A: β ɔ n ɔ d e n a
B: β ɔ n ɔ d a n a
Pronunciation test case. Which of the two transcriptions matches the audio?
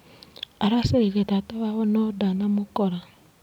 B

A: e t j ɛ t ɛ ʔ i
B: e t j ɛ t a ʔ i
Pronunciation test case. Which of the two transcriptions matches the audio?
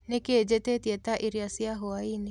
B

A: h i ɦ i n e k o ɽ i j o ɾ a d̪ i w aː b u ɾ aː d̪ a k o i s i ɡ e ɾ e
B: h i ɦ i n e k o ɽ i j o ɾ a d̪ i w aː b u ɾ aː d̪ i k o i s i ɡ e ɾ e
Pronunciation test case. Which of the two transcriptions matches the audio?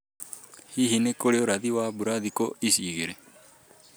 B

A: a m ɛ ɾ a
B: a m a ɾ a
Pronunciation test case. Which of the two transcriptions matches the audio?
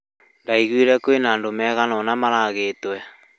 B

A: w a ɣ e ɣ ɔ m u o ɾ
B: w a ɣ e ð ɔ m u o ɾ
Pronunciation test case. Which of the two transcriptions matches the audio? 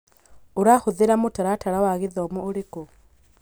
B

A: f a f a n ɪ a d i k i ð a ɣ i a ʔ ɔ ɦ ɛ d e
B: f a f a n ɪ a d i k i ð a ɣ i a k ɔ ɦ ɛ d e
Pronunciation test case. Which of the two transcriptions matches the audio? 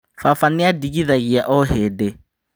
A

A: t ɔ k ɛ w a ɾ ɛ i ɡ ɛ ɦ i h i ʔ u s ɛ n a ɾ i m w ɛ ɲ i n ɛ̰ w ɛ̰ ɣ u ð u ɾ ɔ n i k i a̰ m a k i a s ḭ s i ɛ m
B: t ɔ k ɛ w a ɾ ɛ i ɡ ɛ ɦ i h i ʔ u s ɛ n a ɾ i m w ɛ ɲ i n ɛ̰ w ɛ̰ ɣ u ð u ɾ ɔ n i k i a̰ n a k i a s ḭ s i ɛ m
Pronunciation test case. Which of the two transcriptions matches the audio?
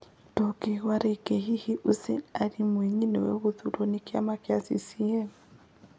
A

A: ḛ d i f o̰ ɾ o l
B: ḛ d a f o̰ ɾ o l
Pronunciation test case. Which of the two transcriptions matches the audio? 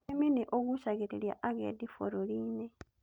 A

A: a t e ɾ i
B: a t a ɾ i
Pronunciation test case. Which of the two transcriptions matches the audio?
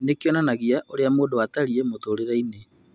B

